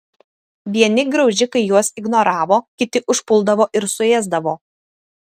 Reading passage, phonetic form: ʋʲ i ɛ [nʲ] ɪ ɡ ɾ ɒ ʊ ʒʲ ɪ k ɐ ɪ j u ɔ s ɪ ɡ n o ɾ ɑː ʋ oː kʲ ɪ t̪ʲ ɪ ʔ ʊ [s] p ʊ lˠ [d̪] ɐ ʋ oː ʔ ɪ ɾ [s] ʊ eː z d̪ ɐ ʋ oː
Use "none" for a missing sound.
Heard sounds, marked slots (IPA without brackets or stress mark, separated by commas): nʲ, ʃ, d̪, s